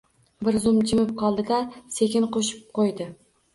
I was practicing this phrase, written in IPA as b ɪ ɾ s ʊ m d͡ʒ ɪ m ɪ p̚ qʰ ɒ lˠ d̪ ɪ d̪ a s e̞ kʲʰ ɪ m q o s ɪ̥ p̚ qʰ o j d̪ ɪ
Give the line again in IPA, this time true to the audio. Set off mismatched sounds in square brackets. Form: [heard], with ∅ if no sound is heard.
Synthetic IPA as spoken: b ɪ ɾ [z] ʊ m d͡ʒ ɪ m ɪ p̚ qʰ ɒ lˠ d̪ ɪ d̪ a s e̞ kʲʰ ɪ [n] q o [ʃ] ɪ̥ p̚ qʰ o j d̪ ɪ